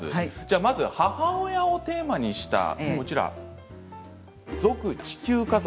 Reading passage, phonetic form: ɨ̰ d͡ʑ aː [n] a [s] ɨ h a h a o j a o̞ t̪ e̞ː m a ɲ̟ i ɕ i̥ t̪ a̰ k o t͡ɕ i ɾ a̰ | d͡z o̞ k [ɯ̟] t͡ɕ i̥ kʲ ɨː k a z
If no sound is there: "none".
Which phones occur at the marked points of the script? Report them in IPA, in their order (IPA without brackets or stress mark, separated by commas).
m, z, ɯ̟